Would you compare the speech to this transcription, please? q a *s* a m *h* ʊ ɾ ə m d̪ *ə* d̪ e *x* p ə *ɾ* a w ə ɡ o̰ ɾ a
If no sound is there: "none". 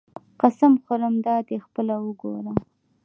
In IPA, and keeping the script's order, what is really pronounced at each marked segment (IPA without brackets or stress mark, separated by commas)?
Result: s, x, ɑ, x, l